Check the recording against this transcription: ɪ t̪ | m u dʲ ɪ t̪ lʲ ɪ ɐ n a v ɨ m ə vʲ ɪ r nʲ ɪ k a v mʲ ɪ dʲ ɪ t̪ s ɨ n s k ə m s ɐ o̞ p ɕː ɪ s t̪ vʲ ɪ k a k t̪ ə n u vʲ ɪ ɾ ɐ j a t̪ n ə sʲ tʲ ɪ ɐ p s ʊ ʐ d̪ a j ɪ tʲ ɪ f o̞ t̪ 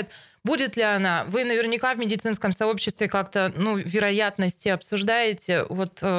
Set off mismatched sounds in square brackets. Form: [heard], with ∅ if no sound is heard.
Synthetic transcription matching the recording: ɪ t̪ | [b] u dʲ ɪ t̪ lʲ ɪ ɐ n a v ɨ [n] ə vʲ ɪ r nʲ ɪ k a v mʲ ɪ dʲ ɪ t̪ s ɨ n s k ə m s ɐ o̞ p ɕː ɪ s t̪ vʲ ɪ k a k t̪ ə n u vʲ ɪ ɾ ɐ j a t̪ n ə sʲ tʲ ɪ ɐ p s ʊ ʐ d̪ a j ɪ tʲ ɪ [v] o̞ t̪